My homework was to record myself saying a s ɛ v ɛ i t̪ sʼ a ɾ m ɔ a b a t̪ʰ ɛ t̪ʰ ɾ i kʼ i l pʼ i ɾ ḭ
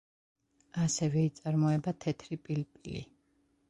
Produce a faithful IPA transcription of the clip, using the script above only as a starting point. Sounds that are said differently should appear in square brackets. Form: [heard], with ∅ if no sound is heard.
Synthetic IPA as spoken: a s ɛ v ɛ i t̪ sʼ a ɾ m ɔ [ɛ] b a t̪ʰ ɛ t̪ʰ ɾ i [pʼ] i l pʼ i [l] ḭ